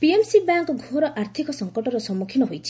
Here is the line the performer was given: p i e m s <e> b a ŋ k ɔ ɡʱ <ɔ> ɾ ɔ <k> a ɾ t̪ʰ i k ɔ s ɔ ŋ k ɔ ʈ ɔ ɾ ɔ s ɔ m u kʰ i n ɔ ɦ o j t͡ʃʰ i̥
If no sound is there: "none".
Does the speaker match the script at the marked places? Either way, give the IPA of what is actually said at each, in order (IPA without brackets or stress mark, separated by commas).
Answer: i, o, ʔ